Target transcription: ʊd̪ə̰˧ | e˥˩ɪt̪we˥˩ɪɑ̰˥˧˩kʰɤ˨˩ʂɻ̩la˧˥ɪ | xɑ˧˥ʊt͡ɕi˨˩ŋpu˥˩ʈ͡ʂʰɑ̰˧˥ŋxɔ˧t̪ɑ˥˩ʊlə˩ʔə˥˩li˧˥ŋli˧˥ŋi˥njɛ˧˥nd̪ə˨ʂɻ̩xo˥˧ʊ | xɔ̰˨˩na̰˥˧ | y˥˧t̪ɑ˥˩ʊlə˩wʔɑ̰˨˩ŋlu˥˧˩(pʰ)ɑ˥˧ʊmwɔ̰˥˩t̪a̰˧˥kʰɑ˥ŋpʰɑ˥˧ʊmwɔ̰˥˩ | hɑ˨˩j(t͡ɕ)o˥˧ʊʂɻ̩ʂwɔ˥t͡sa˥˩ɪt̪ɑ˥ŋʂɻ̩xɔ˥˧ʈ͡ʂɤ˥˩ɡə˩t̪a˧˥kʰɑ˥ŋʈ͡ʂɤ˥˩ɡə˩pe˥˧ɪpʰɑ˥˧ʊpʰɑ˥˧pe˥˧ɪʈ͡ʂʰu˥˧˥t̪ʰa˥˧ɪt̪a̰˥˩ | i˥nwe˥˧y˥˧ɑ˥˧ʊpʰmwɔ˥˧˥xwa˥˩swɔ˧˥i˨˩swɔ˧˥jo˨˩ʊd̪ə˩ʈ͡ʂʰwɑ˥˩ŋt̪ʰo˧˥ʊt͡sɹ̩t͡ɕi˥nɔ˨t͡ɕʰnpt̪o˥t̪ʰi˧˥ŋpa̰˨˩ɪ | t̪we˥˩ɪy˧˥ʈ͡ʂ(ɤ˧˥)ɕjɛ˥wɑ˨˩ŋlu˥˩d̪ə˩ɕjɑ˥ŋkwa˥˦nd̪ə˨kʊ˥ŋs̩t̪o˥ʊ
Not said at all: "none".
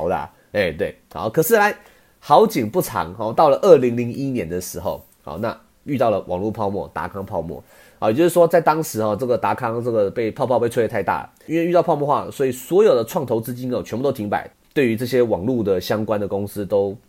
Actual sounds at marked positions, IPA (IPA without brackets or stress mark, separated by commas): pʰ, t͡ɕ, ɤ˥˩